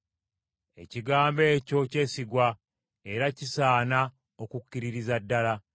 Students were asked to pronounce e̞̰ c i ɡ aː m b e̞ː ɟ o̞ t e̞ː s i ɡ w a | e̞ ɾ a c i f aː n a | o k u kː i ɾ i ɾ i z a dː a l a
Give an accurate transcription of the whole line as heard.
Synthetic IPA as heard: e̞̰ c i ɡ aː m b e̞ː c o̞ c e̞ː s i ɡ w a | e̞ ɾ a c i s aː n a | o k u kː i ɾ i ɾ i z a dː a l a